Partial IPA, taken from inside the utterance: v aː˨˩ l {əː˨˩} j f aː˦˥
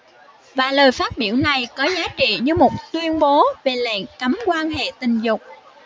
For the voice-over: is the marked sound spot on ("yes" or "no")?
yes